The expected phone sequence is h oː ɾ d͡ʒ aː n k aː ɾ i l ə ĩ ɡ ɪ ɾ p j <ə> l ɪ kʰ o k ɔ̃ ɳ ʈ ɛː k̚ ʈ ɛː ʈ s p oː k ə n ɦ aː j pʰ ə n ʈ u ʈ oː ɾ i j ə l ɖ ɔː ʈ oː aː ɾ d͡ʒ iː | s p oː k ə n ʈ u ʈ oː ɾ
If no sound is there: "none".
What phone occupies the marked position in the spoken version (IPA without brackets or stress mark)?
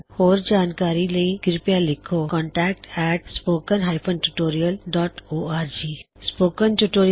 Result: a